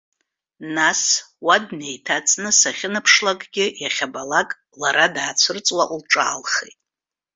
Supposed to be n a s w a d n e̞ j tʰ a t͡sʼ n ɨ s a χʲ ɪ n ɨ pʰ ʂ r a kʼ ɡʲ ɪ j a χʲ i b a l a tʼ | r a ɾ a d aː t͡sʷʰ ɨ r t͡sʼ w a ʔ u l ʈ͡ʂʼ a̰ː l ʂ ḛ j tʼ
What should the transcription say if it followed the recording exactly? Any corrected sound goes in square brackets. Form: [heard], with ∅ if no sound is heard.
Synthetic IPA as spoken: n a s w a d n e̞ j tʰ a t͡sʼ n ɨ s a χʲ ɪ n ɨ pʰ ʂ [l] a kʼ ɡʲ ɪ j a χʲ [a] b a l a [kʼ] | [l] a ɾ a d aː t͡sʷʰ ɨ r t͡sʼ w a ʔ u l ʈ͡ʂʼ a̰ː l [χ] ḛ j tʼ